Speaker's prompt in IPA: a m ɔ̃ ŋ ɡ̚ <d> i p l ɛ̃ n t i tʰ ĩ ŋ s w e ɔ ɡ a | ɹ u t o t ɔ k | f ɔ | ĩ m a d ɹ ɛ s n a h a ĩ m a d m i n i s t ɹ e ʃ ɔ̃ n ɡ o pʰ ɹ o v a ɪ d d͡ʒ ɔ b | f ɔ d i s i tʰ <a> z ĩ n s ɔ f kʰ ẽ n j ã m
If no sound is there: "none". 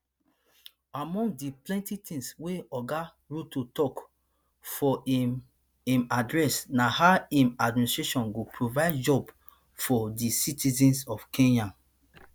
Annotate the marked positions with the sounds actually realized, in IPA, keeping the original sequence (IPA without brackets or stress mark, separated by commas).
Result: d, i